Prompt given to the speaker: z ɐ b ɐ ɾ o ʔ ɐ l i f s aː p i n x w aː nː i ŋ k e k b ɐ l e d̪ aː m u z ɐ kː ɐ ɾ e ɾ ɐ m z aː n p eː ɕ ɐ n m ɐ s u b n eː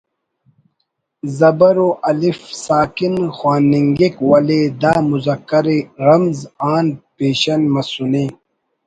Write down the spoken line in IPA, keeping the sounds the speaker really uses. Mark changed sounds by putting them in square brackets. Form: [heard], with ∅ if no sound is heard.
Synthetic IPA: z ɐ b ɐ ɾ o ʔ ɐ l i f s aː [k] i n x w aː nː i ŋ [ɡ] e k [w] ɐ l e d̪ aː m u z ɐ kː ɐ ɾ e ɾ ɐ m z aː n p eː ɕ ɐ n m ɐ s u [∅] n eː